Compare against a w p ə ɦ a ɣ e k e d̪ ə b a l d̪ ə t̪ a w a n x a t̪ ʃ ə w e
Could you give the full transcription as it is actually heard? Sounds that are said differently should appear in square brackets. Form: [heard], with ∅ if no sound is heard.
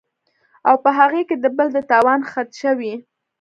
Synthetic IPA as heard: a w p ə ɦ a ɣ e k e d̪ ə b [ə] l d̪ ə t̪ [ɑ] w [ɑ] n x a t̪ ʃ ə w [i]

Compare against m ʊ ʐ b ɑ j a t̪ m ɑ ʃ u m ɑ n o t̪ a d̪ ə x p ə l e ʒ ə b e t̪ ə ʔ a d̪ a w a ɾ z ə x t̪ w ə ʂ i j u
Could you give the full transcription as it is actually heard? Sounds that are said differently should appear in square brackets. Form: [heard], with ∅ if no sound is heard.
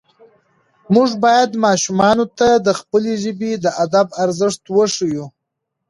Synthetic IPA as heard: m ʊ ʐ b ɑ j a [d̪] m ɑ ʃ u m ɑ n o t̪ a d̪ ə x p ə l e ʒ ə b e [d̪] ə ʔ a d̪ a [b] a ɾ z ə [ʂ] t̪ w ə ʂ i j u

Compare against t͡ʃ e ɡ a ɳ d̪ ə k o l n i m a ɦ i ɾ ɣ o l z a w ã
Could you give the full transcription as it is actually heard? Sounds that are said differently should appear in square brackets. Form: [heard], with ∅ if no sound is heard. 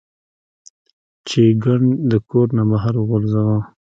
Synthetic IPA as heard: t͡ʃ e ɡ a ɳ d̪ ə k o [ɾ] n [a] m a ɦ [a] ɾ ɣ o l z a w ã

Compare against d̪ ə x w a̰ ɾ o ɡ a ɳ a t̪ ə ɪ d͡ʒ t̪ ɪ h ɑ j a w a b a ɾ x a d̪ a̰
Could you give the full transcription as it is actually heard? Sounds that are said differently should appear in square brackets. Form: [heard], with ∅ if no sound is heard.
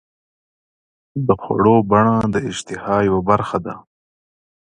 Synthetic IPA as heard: d̪ ə x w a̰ [ɽ] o [b] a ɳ a [d̪] ə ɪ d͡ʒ t̪ ɪ h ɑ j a w a b a ɾ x a d̪ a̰

